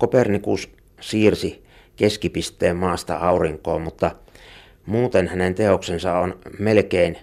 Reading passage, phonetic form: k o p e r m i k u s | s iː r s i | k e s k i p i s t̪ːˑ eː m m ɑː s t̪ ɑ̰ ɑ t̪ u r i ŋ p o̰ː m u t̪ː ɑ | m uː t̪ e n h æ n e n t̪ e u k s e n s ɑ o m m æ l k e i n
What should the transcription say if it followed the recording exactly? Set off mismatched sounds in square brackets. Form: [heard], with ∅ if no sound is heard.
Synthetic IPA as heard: k o p e r [n] i k u s | s iː r s i | k e s k i p i s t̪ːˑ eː m m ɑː s t̪ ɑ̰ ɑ [∅] u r i ŋ [k] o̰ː m u t̪ː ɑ | m uː t̪ e n h æ n e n t̪ e [o] k s e n s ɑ o [n] m [e] l k e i n